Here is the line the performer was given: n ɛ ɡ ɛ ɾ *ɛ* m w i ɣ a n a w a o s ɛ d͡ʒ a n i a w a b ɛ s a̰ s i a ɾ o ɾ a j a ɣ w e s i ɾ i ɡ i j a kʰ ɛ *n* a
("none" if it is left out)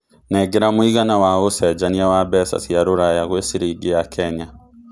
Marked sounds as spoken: a, ɲ

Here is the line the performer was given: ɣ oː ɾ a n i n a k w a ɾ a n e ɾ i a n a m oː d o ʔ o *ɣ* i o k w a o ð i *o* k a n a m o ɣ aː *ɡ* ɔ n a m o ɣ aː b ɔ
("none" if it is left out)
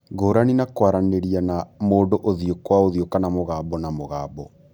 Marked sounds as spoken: ð, o, b

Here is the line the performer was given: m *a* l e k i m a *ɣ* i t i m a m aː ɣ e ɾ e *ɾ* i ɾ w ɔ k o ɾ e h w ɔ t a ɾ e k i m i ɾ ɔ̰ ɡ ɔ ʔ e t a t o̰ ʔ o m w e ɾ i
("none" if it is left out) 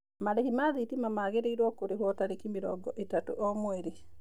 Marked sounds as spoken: a, ð, none

